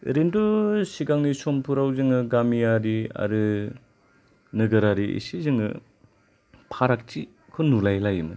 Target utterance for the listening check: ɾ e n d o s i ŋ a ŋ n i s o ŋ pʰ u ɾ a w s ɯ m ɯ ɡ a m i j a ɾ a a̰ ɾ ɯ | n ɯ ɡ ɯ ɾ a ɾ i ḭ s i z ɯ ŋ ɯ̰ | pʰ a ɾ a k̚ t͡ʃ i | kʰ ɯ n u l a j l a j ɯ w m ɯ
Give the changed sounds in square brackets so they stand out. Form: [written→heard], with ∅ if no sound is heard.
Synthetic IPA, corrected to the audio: ɾ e n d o s i [ŋ→ɡ] a ŋ n i s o [ŋ→m] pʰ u ɾ a w [s→z] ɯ [m→ŋ] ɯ ɡ a m i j a ɾ [a→i] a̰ ɾ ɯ | n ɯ ɡ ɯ ɾ a ɾ i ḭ s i z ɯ ŋ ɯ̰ | pʰ a ɾ a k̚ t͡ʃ i | kʰ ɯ n u l a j l a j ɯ [w→∅] m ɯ